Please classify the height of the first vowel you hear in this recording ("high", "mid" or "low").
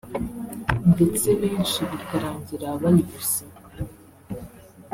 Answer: mid